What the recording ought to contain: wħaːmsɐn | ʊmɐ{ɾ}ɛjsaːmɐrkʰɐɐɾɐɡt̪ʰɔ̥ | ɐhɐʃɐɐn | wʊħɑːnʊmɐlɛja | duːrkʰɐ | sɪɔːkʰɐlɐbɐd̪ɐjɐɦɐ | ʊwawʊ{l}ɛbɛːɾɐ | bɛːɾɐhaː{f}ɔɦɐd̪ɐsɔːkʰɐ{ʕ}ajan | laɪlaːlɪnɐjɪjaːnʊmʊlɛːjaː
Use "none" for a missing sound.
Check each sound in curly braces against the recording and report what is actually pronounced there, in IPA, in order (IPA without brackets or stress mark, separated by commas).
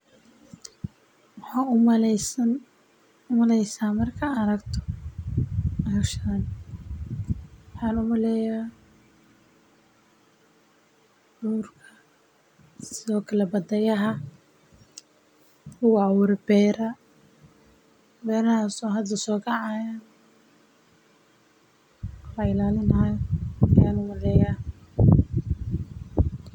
l, ɾ, s, ʕ